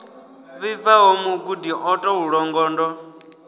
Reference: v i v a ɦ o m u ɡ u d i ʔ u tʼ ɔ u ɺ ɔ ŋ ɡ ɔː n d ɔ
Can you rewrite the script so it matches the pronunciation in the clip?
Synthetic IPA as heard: β i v a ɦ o m u ɡ u d i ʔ ɔ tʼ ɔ u ɺ ɔ ŋ ɡ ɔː n d ɔ

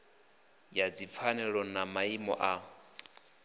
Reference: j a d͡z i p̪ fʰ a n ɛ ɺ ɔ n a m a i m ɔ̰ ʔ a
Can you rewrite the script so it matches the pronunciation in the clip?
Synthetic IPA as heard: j a d͡z i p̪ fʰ a n ɛ ɺ ɔ n a m a i m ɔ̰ ʔ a

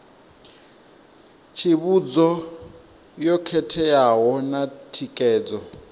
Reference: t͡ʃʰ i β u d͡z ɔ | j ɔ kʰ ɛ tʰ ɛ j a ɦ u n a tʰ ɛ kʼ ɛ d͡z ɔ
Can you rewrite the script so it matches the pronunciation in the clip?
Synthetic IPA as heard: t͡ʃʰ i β u d͡z ɔ | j ɔ kʰ ɛ tʰ ɛ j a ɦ ɔ n a tʰ i kʼ ɛː d͡z ɔ

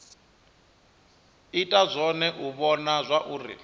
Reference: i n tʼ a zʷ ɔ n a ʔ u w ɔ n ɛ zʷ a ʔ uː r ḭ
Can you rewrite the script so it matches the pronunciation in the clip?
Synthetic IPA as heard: i tʼ a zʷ ɔ n ɛ ʔ u β ɔ n a zʷ a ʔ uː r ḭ

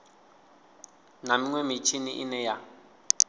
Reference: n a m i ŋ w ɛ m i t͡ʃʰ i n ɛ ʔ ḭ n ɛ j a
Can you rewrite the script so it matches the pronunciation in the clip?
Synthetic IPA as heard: n a m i ŋ w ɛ m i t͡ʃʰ i n i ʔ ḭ n ɛ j a

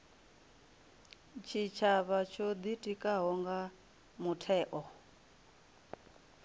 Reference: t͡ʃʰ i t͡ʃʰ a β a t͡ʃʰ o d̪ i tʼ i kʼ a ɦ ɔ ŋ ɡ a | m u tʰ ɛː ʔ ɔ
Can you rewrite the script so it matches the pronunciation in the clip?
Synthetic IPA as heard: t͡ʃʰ i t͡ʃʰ a β a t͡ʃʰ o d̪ i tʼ i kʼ a ɦ ɔ ŋ ɡ a | m u tʰ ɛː ʔ ɔ

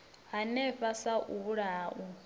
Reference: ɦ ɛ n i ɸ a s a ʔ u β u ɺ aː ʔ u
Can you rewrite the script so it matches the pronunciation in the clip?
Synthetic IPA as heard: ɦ a n ɛ ɸ a s a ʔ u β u ɺ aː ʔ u

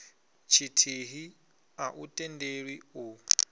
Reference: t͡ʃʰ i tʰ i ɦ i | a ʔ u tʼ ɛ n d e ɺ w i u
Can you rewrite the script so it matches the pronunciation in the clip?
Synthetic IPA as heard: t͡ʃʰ i tʰ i ɦ i | a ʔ u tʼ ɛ n d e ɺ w i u

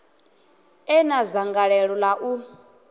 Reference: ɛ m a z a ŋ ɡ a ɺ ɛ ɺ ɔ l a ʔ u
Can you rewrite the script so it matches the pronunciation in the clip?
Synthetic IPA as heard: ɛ n a z a ŋ ɡ a ɺ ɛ ɺ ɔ l a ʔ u

